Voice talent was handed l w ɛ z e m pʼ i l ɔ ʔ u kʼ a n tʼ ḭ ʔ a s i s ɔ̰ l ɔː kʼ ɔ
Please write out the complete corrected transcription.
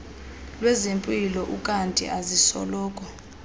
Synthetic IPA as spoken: l w ɛ z e m pʼ i l ɔ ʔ u kʼ a n tʼ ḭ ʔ a z i s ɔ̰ l ɔː kʼ ɔ